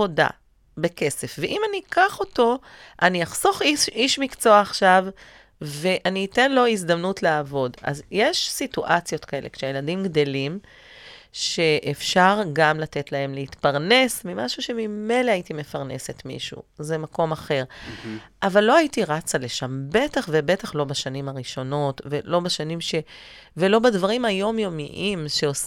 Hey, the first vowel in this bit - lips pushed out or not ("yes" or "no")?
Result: yes